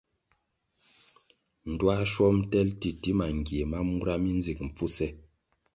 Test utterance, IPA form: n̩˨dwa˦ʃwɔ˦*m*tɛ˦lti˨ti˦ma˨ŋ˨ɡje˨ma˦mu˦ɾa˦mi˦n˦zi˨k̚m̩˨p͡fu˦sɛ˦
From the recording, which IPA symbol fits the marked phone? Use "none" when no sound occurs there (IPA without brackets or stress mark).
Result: m